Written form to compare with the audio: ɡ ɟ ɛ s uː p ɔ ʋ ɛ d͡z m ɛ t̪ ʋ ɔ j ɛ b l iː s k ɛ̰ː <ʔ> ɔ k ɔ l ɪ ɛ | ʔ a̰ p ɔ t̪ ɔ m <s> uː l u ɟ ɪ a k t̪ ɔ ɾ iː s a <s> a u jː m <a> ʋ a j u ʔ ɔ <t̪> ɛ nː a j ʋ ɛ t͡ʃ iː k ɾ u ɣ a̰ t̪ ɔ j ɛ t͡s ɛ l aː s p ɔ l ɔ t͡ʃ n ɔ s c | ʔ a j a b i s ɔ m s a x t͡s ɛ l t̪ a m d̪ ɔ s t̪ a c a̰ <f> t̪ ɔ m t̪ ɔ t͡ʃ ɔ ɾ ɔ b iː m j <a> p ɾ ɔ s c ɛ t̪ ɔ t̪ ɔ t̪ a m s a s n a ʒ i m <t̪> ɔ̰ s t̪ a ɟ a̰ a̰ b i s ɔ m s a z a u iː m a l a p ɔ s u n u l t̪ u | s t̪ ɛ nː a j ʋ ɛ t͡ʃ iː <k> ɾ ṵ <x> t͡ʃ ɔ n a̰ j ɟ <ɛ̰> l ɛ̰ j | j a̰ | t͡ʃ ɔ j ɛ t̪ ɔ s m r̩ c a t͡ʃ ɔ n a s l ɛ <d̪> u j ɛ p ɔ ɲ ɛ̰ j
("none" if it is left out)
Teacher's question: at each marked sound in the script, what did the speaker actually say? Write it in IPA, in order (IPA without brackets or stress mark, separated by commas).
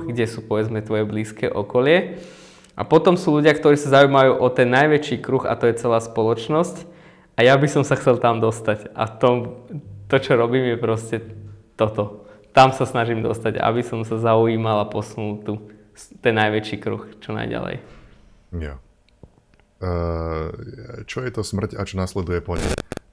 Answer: ʔ, s, z, a, t̪, f, ɛ, d̪, k, x, a̰, d̪